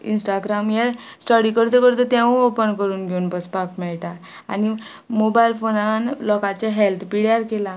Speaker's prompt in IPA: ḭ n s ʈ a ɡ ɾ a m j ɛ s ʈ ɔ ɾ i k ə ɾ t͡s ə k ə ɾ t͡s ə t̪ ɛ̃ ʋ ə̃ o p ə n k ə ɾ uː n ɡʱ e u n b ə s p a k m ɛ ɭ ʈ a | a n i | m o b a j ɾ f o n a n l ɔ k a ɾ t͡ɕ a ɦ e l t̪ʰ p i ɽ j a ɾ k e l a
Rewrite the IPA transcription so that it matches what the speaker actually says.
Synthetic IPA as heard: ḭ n s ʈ a ɡ ɾ a m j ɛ s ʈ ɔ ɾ i k ə ɾ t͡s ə k ə ɾ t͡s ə t̪ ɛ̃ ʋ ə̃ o p ə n k ə ɾ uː n ɡʱ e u n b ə s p a k m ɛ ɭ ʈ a | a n i | m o b a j l f o n a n l ɔ k a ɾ t͡ɕ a ɦ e l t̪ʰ p i ɽ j a ɾ k e l a